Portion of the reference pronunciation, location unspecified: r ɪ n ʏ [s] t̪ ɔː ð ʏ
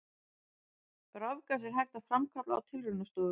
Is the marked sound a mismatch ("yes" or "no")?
no